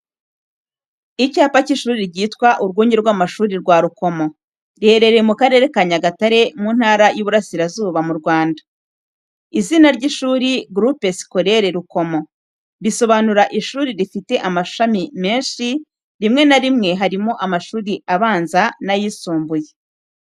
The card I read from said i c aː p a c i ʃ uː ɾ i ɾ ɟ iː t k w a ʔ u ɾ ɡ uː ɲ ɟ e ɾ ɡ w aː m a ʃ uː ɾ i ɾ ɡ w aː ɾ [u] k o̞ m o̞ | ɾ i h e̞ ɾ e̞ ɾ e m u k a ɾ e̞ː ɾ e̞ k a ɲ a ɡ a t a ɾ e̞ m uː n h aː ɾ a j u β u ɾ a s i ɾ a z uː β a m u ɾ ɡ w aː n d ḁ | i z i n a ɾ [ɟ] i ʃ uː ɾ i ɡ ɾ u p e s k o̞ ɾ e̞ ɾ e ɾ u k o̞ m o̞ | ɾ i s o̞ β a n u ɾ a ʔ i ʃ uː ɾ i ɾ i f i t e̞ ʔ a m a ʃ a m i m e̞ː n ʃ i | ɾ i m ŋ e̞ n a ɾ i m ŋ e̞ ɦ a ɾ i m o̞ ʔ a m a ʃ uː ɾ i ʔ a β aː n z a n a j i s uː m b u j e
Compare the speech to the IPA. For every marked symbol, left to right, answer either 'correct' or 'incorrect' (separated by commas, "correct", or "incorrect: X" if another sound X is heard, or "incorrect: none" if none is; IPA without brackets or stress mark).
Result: correct, correct